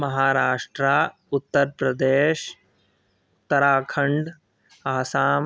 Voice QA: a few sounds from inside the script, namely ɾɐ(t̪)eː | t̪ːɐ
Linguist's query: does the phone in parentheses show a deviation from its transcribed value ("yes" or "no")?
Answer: yes